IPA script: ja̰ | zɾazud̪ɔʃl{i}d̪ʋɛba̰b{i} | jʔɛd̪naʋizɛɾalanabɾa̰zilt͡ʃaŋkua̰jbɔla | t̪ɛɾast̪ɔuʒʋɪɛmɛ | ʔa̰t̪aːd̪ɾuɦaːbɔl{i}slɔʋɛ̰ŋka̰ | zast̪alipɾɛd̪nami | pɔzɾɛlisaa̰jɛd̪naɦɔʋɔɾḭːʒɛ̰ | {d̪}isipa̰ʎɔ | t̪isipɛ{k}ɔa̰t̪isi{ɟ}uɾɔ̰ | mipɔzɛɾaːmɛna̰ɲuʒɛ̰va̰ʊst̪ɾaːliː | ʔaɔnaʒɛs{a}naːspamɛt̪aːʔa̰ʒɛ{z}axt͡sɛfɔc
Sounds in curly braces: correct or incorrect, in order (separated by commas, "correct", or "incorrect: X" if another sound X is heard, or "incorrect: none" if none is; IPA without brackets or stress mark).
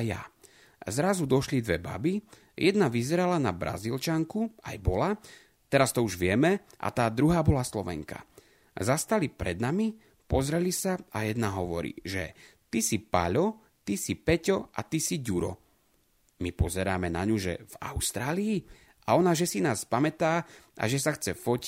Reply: correct, correct, incorrect: a, incorrect: t̪, incorrect: c, correct, incorrect: i, incorrect: s